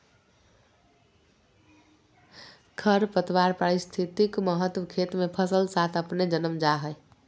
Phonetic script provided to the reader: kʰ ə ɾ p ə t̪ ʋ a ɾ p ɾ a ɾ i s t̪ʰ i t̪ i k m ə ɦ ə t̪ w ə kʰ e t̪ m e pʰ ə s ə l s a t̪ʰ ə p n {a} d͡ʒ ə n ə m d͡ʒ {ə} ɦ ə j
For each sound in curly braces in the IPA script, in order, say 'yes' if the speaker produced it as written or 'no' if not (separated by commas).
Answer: no, no